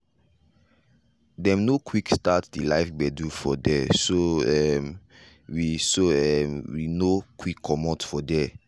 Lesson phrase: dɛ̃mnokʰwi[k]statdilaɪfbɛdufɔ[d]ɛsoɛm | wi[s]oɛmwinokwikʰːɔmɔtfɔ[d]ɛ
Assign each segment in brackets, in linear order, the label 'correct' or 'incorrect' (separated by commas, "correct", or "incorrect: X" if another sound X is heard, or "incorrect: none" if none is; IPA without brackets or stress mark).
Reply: correct, correct, correct, correct